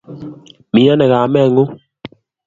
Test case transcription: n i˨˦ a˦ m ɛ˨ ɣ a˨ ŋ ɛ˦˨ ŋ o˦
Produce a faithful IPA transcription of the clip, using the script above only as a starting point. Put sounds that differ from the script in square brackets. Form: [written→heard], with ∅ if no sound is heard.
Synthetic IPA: [n→m] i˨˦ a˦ [m→n] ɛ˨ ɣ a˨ [ŋ→m] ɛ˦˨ ŋ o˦